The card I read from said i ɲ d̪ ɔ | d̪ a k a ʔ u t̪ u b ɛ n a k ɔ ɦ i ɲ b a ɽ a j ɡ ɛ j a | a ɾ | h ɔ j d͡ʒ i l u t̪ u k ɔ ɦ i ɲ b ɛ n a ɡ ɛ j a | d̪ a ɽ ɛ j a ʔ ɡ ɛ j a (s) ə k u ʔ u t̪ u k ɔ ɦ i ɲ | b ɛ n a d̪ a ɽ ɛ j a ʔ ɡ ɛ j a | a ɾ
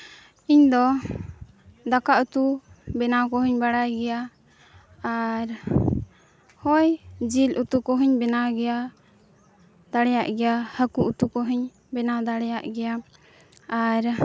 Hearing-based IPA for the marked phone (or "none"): h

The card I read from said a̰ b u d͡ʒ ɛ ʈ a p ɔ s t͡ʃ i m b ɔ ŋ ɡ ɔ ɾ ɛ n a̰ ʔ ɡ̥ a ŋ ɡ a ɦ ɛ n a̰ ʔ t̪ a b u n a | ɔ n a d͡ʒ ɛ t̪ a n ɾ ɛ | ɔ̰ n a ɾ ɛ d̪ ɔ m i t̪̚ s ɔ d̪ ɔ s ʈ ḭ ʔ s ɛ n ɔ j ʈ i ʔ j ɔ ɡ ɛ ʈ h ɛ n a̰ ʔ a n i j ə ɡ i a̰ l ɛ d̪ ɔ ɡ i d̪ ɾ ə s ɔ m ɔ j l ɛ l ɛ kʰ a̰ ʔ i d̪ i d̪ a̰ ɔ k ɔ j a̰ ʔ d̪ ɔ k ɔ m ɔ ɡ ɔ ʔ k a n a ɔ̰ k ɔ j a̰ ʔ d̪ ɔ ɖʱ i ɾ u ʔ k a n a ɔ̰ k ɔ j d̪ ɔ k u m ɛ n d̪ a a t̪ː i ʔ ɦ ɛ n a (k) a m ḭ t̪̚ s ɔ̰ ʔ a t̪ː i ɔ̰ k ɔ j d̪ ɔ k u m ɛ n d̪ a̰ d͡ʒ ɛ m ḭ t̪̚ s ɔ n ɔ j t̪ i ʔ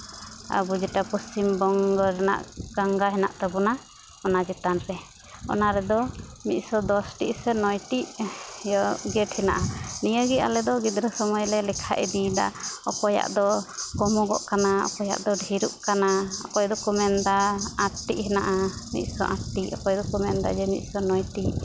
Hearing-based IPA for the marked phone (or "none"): ʔ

